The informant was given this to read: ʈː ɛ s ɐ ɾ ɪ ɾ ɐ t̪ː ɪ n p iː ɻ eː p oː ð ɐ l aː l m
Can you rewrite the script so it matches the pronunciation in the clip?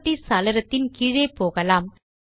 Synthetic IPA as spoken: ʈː i s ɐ l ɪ ɾ ɐ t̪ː ɪ n k iː ɻ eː p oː ɣ ɐ l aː m